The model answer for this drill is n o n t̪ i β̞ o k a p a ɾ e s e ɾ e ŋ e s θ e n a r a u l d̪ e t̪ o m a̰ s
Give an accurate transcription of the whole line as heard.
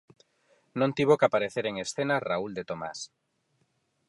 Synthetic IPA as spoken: n õ n t̪ i β̞ o k a p a ɾ e θ e ɾ e ŋ e s θ e n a r a u l d̪ e t̪ o m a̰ s